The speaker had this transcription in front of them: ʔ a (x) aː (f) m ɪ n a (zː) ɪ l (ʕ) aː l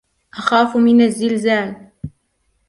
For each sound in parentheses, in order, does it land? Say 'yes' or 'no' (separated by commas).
yes, yes, yes, no